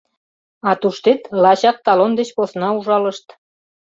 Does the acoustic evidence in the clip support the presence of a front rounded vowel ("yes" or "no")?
no